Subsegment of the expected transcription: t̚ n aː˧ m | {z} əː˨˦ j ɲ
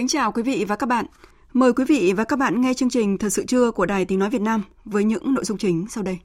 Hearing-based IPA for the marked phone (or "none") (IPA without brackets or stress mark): v